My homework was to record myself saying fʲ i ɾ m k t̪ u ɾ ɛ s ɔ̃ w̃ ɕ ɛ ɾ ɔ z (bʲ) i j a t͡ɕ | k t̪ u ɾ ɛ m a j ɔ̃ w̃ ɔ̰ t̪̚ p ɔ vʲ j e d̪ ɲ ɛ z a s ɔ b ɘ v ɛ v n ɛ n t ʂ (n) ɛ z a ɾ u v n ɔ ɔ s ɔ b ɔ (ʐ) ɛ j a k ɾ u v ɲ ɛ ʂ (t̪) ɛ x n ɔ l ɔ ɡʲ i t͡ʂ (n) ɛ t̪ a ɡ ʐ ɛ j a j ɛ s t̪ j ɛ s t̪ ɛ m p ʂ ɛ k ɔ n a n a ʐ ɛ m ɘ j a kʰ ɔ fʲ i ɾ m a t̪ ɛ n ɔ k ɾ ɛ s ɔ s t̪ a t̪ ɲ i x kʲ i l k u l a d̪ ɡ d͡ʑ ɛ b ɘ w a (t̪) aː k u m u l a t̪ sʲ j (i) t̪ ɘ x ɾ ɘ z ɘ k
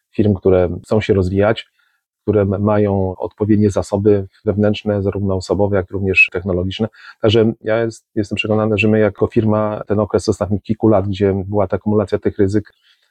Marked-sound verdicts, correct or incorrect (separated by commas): incorrect, correct, incorrect, correct, correct, correct, incorrect